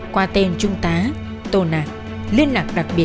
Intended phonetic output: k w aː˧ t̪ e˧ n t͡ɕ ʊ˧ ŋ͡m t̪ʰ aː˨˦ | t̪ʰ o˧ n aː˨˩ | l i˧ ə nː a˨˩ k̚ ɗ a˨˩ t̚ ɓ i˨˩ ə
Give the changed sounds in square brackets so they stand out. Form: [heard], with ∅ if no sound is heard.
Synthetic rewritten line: k w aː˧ t̪ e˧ n t͡ɕ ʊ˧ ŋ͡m [t̪] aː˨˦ | [t̪] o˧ n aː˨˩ | l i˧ ə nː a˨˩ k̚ ɗ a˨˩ [k̚] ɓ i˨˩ ə